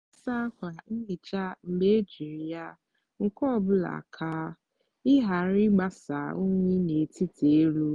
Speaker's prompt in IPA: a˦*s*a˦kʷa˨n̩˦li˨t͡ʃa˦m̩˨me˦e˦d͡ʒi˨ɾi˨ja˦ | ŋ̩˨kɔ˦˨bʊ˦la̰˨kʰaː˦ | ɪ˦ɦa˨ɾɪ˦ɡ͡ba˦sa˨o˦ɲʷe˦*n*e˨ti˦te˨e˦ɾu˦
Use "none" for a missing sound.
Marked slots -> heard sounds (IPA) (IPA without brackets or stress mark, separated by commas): s, n